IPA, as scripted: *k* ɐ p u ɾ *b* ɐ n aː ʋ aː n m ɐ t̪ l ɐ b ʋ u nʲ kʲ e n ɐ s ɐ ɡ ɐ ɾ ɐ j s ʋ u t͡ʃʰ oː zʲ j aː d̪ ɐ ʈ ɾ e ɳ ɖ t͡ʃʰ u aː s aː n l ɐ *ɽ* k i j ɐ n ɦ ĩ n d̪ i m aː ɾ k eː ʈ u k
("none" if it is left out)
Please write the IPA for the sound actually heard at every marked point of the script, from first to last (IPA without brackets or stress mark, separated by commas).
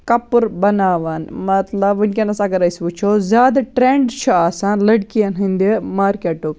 k, b, ɽ